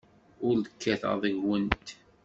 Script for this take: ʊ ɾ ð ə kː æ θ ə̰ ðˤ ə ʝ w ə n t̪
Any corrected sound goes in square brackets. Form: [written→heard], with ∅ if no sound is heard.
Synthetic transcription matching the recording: ʊ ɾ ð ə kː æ θ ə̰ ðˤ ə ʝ w ə n t̪